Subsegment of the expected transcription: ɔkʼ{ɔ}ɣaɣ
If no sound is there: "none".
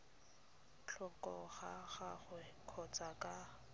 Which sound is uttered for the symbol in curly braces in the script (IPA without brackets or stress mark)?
ɔ